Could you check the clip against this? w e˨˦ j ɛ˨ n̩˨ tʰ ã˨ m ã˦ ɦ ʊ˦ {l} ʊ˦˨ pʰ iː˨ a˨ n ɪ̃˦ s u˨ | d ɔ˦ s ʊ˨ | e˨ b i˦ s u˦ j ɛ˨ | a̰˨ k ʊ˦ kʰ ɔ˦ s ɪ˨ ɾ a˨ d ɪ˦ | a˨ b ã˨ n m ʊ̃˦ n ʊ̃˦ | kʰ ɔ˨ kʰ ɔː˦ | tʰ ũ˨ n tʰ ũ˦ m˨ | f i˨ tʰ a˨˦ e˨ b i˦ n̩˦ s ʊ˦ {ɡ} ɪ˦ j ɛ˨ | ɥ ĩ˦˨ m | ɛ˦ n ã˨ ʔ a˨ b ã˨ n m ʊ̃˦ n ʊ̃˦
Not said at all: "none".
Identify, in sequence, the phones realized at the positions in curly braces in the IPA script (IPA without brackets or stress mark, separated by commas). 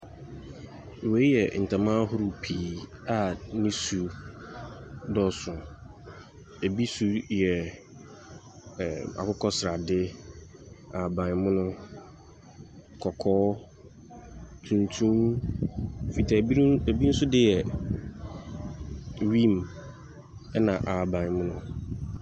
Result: ɾ, d